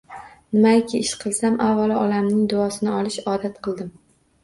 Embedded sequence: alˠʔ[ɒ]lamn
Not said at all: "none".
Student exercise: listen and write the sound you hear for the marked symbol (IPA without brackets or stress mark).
ɒ